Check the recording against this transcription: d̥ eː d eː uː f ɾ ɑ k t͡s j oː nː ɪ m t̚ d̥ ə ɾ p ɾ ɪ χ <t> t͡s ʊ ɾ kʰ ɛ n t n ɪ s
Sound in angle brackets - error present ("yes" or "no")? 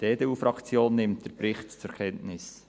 no